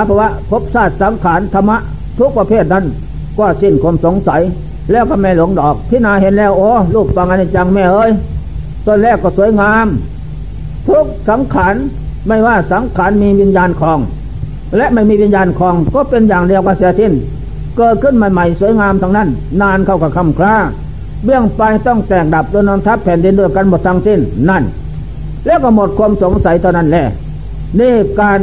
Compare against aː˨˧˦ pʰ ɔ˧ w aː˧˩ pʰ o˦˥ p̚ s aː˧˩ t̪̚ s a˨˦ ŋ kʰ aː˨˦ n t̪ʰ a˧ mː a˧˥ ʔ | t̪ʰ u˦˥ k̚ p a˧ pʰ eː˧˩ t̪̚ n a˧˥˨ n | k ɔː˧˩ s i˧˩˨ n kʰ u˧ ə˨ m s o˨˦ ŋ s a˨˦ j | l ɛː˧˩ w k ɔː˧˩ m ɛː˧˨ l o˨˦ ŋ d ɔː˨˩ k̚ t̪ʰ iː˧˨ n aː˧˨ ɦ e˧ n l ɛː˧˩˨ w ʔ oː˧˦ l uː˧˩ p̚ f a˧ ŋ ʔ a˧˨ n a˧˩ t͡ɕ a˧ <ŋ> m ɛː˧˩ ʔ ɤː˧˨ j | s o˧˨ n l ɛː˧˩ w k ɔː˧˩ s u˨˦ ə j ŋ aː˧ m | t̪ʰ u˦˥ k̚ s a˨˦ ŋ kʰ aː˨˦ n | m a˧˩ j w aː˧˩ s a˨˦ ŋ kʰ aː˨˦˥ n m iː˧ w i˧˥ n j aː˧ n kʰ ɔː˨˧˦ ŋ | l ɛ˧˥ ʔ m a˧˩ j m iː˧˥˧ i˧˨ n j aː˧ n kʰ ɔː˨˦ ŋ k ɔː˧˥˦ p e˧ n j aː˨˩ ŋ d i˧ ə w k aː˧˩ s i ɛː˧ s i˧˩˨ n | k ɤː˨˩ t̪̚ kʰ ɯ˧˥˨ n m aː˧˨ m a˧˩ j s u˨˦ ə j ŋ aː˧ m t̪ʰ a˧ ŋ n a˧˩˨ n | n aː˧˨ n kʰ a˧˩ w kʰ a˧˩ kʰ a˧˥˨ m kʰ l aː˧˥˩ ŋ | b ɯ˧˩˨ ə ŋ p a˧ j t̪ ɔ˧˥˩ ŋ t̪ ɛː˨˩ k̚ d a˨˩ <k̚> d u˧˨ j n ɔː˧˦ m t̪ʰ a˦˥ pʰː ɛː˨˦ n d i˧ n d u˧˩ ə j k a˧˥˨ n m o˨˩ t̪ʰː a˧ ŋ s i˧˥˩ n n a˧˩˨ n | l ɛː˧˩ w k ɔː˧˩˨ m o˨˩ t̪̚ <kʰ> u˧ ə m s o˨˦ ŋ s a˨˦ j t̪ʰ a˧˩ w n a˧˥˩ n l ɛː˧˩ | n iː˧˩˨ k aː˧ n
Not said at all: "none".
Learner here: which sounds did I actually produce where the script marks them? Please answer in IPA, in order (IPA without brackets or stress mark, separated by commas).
ŋ, p̚, kʰ